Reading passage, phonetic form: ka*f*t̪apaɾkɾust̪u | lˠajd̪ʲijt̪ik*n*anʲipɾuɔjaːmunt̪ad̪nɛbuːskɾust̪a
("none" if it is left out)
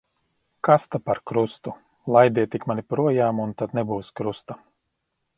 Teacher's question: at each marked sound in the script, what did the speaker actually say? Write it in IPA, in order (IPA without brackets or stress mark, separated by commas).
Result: s, m